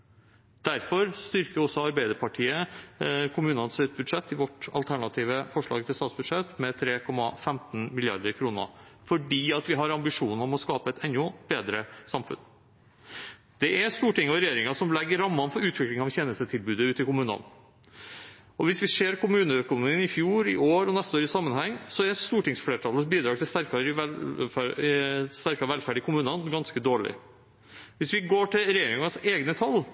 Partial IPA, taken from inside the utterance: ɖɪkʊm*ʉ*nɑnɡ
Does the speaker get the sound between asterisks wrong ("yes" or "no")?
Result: yes